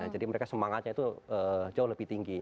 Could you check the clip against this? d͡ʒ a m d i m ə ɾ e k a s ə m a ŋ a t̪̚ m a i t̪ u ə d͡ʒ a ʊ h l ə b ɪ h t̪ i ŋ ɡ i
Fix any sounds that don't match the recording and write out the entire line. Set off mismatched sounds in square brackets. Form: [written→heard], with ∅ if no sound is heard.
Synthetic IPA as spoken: d͡ʒ a [m→∅] d i m ə ɾ e k a s ə m a ŋ a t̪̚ [m→ɲ] a i t̪ u ə d͡ʒ a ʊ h l ə b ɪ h t̪ i ŋ ɡ i